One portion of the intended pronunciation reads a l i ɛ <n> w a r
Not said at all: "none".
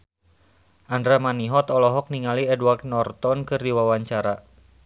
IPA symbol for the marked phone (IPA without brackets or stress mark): d